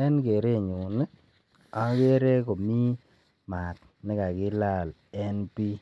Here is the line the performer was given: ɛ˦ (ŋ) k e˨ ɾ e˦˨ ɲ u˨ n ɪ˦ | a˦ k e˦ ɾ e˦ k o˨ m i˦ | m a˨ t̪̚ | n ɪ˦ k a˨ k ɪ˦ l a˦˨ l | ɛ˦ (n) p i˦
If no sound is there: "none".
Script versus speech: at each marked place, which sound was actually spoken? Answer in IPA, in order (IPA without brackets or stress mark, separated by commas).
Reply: n, n